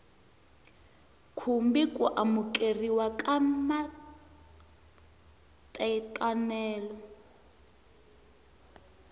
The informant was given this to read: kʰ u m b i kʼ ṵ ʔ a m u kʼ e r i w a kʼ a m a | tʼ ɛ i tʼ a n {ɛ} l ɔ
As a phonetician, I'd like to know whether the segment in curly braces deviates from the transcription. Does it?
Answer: yes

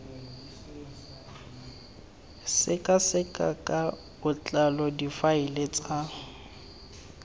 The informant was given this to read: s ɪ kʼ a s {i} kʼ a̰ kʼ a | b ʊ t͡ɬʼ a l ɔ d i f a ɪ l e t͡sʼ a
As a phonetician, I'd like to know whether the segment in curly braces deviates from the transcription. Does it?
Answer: yes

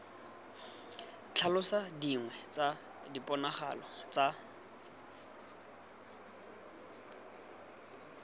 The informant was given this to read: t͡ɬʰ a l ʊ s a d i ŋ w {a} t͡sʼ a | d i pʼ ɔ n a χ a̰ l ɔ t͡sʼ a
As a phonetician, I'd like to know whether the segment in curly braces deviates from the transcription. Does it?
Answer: yes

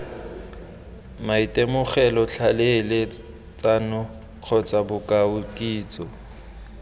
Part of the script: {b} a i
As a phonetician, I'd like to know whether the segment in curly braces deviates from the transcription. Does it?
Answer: yes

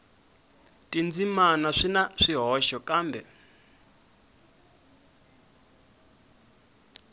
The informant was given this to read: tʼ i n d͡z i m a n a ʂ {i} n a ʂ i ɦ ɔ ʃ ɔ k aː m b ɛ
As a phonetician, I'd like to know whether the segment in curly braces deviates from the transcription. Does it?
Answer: no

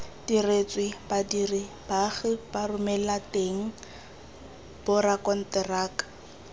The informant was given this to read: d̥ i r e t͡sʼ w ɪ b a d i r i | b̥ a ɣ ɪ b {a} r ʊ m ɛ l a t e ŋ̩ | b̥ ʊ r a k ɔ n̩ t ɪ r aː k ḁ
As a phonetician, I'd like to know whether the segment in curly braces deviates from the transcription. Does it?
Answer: no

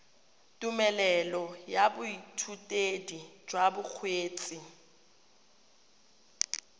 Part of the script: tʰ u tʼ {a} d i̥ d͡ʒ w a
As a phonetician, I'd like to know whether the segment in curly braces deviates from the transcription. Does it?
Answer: yes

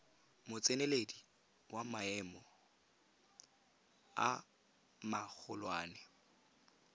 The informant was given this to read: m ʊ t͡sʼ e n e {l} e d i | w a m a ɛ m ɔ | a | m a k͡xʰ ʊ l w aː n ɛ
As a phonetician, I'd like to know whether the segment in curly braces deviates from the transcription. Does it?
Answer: no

